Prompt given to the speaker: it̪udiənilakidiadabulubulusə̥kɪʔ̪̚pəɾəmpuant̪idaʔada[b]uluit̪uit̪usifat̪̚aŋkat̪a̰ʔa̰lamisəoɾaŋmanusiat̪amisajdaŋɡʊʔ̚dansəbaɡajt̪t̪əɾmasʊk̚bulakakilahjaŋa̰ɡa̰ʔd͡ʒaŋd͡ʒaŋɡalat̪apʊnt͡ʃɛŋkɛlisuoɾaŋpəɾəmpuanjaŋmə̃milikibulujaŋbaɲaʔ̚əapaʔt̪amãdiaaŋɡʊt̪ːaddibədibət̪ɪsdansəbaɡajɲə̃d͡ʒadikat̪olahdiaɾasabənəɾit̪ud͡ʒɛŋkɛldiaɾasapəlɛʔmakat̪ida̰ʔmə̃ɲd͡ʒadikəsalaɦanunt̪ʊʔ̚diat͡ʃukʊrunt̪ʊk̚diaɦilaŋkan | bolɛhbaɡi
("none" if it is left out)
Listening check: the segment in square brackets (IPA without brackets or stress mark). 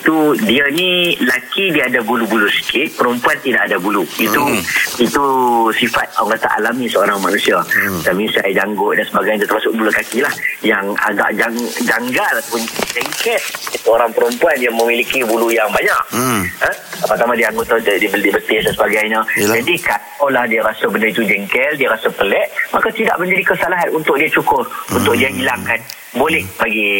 b